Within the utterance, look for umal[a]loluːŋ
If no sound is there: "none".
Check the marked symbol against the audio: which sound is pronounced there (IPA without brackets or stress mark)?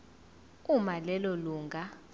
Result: ɛ